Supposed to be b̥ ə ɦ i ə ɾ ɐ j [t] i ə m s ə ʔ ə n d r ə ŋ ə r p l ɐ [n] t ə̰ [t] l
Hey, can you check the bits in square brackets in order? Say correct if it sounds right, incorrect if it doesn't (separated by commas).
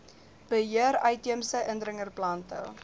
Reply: correct, correct, incorrect